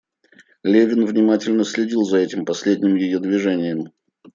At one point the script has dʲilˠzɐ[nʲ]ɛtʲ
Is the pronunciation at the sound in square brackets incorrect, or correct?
incorrect